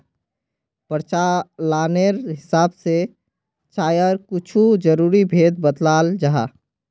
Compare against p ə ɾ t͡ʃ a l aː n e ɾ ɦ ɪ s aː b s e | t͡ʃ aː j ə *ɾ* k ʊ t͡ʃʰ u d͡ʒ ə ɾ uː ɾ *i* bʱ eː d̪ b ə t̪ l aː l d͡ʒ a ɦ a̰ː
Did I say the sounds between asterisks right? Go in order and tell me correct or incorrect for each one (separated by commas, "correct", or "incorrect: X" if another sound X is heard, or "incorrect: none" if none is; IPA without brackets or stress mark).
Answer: correct, correct